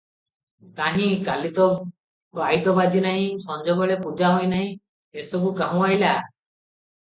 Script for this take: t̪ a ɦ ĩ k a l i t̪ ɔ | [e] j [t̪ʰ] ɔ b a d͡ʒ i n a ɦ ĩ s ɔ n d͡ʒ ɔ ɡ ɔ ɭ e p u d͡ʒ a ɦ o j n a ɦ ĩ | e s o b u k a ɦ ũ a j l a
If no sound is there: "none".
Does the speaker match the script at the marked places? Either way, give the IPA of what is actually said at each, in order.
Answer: a, t̪

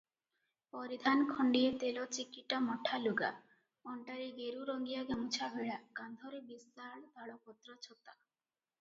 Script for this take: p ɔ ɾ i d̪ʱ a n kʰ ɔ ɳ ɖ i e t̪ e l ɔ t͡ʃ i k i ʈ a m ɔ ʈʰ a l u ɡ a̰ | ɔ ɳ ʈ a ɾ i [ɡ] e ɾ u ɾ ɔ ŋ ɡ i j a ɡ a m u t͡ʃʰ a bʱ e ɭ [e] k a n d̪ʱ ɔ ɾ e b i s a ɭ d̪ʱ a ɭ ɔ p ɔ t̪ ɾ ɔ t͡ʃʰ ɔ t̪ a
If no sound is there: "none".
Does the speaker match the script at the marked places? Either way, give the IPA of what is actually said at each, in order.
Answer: ɡ, a

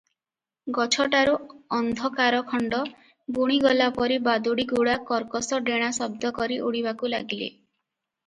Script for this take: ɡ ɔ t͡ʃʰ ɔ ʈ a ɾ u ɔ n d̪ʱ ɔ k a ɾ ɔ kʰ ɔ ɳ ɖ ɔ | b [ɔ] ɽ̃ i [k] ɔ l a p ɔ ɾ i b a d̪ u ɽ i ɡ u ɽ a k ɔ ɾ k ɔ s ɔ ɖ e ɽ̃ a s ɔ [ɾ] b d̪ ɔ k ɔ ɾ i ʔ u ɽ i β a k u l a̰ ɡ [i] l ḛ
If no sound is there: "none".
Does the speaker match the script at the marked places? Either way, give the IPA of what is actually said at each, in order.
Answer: u, ɡ, none, i

